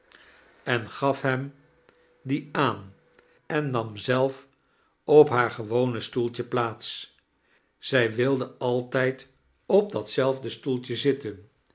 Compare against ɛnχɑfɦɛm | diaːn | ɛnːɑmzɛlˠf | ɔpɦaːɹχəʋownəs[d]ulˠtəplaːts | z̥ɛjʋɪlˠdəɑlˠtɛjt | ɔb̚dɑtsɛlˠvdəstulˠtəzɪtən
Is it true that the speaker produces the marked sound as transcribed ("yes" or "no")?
no